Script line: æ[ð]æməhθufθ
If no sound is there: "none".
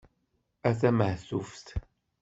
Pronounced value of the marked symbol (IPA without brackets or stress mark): θ